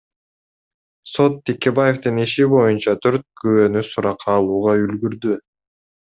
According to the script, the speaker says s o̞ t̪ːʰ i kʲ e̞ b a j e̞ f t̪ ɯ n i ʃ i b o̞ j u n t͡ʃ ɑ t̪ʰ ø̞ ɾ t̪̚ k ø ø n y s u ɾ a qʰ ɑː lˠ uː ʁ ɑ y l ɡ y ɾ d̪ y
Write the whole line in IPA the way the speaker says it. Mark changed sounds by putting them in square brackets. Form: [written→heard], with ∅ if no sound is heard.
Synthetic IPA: s o̞ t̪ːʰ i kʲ e̞ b a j e̞ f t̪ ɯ n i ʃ i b o̞ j u n t͡ʃ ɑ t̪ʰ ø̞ ɾ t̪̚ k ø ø n y s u ɾ [a→ɑ] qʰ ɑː lˠ uː ʁ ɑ y l ɡ y ɾ d̪ y